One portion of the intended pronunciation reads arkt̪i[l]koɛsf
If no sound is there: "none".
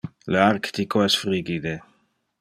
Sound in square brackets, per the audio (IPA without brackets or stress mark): none